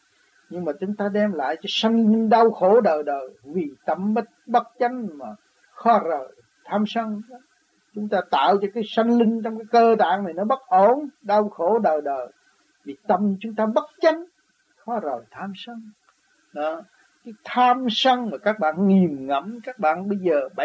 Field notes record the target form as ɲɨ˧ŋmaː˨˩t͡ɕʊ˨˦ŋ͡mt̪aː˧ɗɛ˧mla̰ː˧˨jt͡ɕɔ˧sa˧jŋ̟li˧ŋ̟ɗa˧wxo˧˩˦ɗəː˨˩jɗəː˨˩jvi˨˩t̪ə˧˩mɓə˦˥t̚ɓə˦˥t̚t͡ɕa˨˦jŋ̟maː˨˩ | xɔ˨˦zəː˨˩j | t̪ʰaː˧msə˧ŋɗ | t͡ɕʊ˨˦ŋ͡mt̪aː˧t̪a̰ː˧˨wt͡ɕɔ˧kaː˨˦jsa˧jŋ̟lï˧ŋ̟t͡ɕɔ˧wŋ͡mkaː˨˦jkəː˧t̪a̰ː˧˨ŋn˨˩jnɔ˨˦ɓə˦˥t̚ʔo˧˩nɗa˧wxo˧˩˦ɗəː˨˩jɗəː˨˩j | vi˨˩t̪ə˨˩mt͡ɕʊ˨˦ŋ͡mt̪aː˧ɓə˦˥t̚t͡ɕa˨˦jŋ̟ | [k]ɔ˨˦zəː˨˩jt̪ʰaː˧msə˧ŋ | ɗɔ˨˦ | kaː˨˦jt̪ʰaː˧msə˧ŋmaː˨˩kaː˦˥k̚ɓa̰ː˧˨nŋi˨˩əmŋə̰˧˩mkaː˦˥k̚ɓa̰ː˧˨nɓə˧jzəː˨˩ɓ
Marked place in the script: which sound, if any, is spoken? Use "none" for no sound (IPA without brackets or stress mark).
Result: x